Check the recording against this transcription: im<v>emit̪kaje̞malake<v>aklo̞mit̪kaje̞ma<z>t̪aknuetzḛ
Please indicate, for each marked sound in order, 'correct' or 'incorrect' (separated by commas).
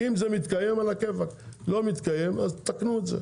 incorrect, correct, correct